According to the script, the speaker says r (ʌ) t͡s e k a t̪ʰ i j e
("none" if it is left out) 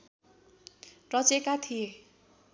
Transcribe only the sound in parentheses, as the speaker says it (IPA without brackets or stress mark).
ʌ